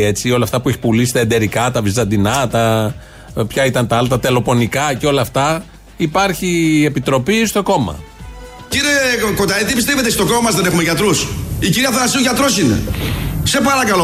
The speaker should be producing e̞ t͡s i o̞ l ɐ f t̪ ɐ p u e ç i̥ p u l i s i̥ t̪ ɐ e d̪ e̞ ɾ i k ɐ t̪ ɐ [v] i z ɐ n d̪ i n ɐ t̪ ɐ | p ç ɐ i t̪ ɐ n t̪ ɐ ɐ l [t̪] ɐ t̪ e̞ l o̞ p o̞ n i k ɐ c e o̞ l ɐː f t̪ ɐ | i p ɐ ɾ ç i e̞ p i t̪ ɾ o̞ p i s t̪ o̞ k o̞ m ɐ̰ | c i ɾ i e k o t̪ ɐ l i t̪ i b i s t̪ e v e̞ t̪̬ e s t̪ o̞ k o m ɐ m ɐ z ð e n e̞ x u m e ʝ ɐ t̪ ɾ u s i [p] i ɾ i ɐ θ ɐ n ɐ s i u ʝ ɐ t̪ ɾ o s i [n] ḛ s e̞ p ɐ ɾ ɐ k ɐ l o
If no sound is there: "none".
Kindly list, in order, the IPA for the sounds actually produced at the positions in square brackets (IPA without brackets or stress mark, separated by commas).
v, t̪, c, n